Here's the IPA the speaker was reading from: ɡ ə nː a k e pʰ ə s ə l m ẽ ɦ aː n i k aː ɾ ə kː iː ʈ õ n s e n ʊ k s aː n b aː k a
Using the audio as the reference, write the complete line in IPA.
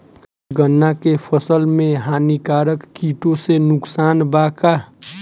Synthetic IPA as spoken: ɡ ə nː a k e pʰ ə s ə l m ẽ ɦ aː n i k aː ɾ ə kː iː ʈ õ s e n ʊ k s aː n b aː k a